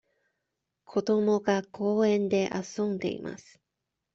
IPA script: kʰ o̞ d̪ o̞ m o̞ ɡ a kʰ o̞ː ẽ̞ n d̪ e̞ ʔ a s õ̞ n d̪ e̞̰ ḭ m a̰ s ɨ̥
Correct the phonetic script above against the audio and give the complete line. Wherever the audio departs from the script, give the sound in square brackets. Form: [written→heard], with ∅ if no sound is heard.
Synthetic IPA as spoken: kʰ o̞ d̪ o̞ m o̞ ɡ a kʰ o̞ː ẽ̞ n d̪ e̞ ʔ a s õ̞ n d̪ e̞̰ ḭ m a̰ s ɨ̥